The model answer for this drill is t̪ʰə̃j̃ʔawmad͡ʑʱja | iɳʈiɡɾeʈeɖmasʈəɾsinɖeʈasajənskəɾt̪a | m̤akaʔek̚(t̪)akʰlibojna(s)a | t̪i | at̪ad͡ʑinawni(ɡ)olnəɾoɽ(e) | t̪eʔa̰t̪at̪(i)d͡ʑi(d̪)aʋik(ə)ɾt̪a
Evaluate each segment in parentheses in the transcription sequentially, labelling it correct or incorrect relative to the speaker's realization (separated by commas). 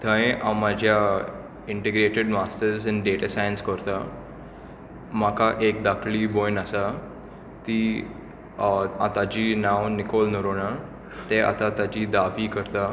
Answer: incorrect, correct, incorrect, incorrect, incorrect, correct, correct